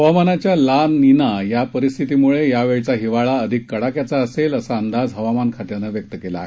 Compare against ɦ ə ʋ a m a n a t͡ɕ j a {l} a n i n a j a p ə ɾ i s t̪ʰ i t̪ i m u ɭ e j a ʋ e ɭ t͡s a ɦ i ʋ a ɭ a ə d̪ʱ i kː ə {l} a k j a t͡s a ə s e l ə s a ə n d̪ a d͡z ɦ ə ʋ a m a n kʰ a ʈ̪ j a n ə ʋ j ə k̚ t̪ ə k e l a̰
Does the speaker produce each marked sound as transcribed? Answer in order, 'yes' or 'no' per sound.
yes, no

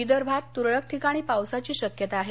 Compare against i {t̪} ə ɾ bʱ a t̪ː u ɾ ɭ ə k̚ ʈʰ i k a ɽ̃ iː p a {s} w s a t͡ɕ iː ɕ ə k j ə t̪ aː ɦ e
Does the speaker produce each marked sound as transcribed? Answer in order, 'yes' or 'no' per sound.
no, no

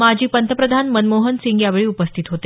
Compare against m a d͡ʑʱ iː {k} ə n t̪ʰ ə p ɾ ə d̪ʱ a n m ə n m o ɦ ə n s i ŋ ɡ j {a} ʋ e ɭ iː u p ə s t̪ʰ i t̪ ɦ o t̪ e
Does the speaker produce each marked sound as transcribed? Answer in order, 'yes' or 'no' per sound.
no, yes

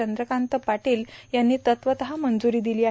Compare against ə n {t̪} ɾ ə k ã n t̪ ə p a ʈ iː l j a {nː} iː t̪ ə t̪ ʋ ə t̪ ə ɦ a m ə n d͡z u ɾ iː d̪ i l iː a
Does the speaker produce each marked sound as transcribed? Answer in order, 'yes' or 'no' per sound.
no, yes

